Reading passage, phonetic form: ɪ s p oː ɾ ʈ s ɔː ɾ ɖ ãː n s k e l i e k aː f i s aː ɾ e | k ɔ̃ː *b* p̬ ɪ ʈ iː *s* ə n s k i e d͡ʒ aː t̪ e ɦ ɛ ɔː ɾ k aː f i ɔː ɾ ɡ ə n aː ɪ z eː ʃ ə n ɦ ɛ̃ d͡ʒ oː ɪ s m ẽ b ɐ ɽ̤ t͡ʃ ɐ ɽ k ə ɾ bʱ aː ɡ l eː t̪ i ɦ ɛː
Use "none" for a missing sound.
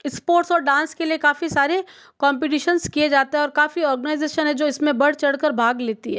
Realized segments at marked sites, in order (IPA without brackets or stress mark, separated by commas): m, ʃ